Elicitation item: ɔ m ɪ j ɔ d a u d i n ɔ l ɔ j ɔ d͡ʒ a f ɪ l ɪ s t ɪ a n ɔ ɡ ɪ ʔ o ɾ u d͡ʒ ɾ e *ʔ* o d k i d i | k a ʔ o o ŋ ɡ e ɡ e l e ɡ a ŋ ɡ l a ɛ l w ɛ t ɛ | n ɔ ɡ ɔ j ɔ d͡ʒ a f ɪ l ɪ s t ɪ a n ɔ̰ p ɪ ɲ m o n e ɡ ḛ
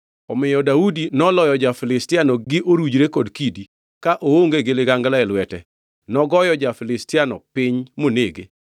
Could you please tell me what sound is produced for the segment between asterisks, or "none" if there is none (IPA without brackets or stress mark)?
k